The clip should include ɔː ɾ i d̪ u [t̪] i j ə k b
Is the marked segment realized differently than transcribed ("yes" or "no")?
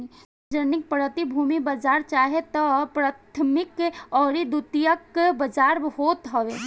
no